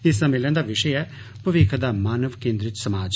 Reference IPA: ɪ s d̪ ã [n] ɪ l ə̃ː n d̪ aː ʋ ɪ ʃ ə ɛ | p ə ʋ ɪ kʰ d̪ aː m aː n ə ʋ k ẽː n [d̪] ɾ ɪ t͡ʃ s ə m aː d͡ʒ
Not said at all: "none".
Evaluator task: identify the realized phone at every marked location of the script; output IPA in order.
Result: m, d̪

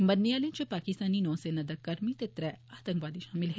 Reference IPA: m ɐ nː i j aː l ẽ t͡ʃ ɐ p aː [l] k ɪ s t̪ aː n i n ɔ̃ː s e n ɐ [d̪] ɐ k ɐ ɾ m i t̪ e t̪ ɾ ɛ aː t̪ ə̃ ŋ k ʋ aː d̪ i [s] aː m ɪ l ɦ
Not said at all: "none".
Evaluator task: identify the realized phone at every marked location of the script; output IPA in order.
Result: none, d̪, ʃ

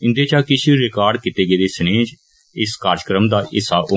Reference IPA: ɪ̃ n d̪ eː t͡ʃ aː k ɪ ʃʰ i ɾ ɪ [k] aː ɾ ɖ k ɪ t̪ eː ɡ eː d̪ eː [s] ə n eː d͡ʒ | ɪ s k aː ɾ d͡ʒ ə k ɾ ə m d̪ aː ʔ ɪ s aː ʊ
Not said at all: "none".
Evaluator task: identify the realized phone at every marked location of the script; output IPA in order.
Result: k, s

